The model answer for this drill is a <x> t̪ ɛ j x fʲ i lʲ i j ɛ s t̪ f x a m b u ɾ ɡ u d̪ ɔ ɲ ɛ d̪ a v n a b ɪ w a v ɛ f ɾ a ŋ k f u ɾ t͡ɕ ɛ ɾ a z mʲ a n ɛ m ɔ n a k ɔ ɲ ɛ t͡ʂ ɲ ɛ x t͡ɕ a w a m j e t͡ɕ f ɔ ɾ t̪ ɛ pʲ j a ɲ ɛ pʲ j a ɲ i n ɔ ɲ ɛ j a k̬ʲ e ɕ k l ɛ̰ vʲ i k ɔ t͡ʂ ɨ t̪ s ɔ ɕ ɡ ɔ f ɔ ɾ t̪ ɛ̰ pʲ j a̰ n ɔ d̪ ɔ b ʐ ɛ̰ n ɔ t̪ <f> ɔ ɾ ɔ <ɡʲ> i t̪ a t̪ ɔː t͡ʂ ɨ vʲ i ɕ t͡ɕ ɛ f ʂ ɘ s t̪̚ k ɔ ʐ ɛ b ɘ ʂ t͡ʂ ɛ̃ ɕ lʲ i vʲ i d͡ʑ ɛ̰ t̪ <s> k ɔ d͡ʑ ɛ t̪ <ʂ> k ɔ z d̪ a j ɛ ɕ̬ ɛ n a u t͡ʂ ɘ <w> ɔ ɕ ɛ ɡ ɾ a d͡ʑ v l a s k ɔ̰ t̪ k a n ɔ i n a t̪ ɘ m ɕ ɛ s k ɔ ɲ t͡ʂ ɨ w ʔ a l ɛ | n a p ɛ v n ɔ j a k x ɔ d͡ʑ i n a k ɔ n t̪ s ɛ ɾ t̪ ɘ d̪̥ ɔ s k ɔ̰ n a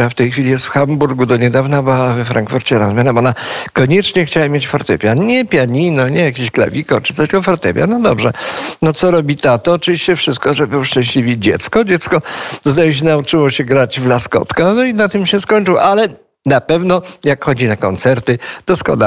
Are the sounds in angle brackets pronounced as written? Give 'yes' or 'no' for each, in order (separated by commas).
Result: no, no, no, yes, no, yes